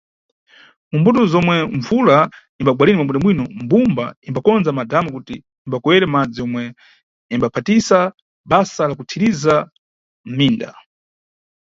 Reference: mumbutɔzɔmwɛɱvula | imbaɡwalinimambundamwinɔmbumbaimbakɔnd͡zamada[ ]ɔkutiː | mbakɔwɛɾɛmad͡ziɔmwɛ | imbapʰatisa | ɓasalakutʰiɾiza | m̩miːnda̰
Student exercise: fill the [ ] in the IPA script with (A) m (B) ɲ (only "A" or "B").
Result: A